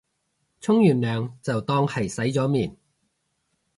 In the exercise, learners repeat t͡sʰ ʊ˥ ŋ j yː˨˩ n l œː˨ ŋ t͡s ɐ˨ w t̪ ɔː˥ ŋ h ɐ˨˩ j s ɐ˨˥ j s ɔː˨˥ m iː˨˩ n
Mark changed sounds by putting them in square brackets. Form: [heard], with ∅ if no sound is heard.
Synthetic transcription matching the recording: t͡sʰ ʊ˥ ŋ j yː˨˩ n l œː˨ ŋ t͡s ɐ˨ w t̪ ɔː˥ ŋ h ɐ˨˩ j s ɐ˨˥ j [t͡s] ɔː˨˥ m iː˨˩ n